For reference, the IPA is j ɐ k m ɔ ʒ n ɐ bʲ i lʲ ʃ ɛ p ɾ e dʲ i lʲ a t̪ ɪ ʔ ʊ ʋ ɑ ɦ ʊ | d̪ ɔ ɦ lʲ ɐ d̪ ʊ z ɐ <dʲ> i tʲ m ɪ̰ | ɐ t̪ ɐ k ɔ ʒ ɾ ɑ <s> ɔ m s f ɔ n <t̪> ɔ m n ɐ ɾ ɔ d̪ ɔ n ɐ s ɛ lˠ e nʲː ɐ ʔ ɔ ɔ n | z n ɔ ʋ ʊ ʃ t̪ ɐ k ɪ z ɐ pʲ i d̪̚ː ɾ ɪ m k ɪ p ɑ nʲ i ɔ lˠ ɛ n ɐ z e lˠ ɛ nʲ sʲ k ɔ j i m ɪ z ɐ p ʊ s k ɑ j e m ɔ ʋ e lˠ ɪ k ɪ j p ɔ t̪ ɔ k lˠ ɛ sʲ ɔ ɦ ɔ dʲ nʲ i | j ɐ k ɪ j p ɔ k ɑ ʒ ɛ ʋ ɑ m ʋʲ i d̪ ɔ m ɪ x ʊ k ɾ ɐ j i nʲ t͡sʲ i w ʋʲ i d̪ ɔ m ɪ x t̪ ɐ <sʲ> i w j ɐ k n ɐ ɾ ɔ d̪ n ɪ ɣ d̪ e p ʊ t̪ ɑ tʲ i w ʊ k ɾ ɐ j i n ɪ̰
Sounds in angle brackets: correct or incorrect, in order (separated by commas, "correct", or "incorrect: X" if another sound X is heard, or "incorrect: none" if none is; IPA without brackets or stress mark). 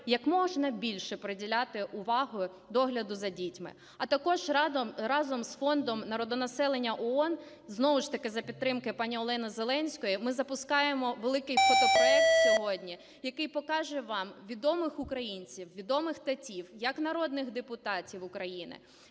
correct, incorrect: z, incorrect: d̪, incorrect: tʲ